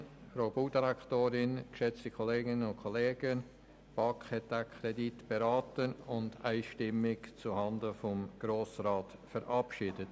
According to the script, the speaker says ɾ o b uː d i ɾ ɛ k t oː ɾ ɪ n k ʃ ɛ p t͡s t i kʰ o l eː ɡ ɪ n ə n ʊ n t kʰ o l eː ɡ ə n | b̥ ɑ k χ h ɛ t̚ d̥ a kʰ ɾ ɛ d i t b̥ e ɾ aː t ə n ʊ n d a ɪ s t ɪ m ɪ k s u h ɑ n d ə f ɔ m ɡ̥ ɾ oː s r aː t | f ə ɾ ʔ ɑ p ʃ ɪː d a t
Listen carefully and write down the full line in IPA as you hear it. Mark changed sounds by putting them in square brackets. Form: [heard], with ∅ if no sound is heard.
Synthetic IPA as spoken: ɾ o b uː d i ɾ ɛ k t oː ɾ ɪ n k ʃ ɛ [∅] t͡s t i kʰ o l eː ɡ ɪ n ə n ʊ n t kʰ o l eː ɡ ə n | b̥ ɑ k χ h ɛ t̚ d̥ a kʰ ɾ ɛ d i t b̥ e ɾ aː t ə n ʊ n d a ɪ [ʃ] t ɪ m ɪ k [t͡s] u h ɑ n d ə f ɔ m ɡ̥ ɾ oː s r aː t | f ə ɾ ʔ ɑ p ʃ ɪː d [ə] t